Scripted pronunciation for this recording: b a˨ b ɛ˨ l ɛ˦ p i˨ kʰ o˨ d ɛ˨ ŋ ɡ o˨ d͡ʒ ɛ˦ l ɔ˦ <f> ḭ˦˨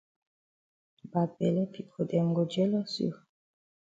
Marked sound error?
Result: yes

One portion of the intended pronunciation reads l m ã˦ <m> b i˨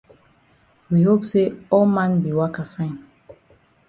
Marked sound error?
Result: yes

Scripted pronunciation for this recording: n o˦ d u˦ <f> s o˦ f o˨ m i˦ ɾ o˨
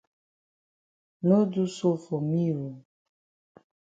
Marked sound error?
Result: yes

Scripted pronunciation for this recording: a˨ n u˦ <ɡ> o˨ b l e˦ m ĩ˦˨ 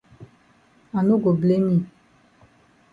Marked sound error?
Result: no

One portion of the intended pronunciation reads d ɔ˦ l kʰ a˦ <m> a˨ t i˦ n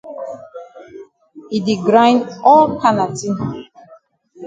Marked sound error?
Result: yes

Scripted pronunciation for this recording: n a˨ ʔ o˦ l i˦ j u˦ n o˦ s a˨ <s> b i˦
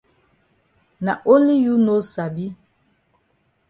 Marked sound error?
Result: yes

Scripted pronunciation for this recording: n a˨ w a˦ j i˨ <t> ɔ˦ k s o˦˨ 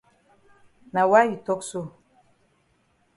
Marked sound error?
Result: no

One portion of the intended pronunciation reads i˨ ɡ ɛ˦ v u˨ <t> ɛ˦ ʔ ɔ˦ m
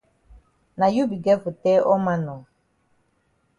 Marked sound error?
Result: no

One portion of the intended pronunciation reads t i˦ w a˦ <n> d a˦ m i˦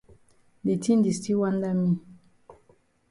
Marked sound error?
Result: no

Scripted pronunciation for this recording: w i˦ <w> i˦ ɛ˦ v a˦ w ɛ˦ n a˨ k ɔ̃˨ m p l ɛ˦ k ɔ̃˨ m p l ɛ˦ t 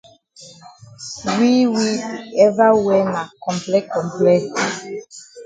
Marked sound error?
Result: no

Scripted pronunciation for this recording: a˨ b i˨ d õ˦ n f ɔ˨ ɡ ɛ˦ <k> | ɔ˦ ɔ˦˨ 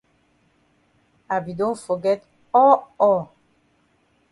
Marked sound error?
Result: yes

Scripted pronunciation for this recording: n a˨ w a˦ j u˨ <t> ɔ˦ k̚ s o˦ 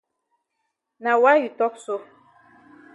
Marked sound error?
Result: no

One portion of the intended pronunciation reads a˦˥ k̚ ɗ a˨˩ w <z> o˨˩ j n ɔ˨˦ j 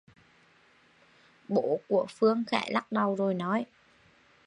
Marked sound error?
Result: no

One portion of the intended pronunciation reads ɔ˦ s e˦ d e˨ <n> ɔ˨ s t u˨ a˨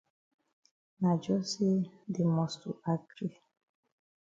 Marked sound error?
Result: yes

